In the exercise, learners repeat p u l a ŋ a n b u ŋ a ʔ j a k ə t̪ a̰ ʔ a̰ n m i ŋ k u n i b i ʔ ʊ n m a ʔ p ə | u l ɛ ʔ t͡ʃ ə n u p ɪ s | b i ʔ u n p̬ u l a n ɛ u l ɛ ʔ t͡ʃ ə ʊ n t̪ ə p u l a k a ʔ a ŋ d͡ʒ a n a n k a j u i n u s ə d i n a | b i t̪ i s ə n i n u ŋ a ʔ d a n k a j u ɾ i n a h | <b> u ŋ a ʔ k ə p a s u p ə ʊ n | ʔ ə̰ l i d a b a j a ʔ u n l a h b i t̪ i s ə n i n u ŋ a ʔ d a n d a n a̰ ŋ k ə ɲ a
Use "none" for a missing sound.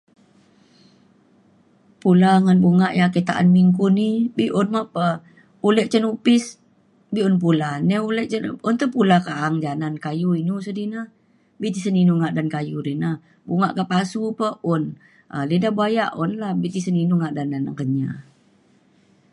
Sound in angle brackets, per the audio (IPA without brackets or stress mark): b